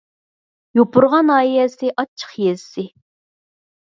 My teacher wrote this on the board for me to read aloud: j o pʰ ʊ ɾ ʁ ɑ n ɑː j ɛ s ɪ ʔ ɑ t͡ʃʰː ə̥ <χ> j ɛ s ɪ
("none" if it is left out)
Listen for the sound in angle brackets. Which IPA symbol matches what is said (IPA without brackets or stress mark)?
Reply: χ